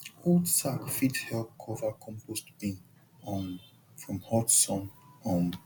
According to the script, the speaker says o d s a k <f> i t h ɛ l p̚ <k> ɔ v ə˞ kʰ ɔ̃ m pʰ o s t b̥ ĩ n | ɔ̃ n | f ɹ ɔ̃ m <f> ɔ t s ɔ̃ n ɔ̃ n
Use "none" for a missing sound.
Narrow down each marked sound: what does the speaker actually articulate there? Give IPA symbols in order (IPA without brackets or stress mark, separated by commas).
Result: f, kʰ, h